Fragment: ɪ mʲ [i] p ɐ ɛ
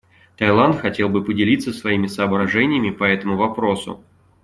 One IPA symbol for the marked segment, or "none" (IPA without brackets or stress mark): ɪ